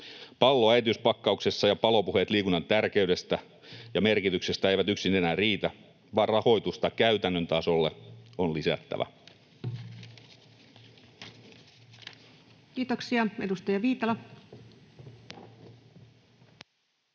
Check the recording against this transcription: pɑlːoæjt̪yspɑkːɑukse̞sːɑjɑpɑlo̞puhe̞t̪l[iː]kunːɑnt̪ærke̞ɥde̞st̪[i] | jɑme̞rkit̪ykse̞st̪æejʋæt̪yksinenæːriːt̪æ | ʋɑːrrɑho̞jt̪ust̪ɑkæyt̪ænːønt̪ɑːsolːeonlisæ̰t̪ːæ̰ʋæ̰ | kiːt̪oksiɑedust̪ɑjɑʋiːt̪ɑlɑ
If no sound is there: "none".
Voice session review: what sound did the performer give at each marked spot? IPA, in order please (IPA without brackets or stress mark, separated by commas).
iː, æ